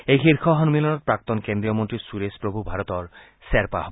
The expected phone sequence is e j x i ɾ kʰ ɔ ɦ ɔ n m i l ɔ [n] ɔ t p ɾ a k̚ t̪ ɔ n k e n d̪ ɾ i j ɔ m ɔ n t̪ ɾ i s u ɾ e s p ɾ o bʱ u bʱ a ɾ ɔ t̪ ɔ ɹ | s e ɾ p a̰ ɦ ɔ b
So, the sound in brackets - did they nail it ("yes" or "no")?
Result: yes